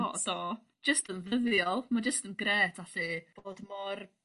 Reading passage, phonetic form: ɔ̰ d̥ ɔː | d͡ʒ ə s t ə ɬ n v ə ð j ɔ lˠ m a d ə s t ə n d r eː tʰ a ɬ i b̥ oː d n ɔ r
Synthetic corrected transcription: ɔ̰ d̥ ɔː | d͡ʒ ə s t ə n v ə ð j ɔ lˠ m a d͡ʒ ə s t ə n ɡ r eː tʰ a ɬ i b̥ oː d m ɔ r